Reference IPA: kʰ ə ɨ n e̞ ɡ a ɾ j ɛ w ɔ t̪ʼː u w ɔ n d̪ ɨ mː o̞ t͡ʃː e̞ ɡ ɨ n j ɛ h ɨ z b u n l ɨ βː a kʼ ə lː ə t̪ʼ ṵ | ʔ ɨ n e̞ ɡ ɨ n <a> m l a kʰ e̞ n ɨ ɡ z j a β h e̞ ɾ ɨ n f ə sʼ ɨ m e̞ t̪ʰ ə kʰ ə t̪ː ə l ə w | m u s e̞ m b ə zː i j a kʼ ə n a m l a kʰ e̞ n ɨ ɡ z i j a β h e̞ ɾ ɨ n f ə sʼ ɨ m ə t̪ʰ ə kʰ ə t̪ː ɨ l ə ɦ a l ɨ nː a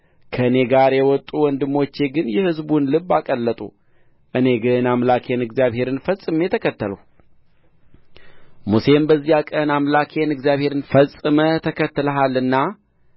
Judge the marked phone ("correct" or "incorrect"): correct